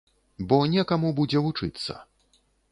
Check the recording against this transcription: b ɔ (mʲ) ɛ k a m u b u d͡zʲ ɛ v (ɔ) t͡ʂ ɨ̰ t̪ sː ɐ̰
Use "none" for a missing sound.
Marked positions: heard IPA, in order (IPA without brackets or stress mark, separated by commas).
nʲ, u